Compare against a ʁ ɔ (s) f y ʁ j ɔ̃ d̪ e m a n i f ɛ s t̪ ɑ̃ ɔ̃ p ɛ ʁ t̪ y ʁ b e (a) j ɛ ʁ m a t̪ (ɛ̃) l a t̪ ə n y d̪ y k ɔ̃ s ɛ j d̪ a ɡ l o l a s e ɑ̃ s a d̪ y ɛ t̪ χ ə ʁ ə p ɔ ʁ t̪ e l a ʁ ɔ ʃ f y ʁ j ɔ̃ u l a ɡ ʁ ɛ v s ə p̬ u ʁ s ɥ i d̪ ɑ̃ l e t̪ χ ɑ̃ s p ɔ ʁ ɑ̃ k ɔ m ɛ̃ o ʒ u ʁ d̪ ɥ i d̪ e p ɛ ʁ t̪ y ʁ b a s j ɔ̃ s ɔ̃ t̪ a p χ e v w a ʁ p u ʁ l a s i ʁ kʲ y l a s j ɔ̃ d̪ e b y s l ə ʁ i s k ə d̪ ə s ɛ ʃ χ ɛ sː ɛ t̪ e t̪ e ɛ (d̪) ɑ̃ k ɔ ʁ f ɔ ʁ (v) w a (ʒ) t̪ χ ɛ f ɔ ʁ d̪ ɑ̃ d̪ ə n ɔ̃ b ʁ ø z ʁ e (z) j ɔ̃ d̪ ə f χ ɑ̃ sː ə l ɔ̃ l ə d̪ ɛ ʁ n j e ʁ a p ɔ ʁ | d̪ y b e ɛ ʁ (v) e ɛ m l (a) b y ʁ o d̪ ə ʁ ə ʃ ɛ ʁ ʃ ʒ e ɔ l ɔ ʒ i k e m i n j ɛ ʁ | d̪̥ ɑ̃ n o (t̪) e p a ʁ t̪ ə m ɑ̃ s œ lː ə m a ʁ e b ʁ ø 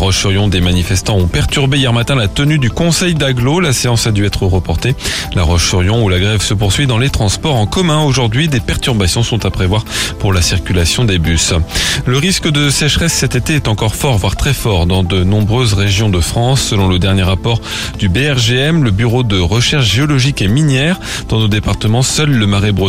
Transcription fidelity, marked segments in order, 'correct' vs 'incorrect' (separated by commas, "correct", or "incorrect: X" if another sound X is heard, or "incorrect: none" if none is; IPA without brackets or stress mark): incorrect: ʃ, incorrect: i, correct, incorrect: t̪, correct, incorrect: ʁ, incorrect: ʒ, incorrect: ʒ, incorrect: ə, incorrect: d̪